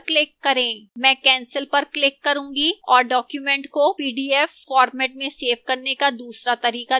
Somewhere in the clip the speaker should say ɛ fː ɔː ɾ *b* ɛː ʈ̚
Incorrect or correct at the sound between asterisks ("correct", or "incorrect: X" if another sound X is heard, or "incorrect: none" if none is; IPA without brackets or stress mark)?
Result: incorrect: m